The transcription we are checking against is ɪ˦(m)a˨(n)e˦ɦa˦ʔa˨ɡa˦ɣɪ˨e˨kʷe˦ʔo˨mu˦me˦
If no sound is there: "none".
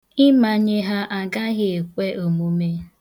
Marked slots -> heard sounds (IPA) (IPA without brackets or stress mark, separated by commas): m, ɲ